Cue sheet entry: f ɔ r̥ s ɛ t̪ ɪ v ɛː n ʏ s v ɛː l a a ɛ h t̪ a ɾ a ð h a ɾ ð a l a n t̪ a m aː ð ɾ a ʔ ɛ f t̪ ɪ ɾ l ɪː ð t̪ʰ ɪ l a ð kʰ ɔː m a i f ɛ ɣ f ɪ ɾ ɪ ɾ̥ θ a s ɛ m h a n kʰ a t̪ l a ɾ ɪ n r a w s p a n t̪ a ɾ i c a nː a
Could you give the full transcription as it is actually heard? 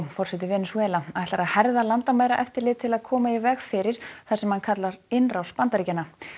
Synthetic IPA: f ɔ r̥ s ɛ t̪ ɪ v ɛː n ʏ s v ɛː l a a ɛ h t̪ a ɾ a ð h ɛ ɾ ð a l a n t̪ a m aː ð ɾ a ʔ ɛ f t̪ ɪ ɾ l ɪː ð t̪ʰ ɪ l a ð kʰ ɔː m a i v ɛ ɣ f ɪ ɾ ɪ ɾ̥ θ a s ɛ m h a n kʰ a t̪ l a ɾ ɪ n r a w s p a n t̪ a ɾ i c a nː a